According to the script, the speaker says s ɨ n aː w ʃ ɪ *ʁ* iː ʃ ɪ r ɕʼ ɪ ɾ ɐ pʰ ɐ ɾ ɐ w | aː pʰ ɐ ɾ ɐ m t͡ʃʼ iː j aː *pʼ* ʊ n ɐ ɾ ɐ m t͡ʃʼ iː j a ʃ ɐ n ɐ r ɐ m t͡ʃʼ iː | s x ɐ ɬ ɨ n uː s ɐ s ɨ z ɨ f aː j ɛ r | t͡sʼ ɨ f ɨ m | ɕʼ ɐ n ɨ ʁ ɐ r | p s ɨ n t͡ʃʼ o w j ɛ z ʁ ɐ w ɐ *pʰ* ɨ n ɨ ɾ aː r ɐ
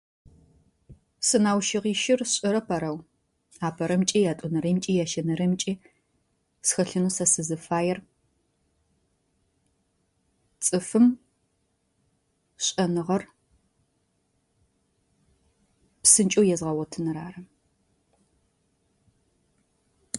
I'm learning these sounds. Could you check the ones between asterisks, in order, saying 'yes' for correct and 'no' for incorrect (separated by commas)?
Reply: yes, no, no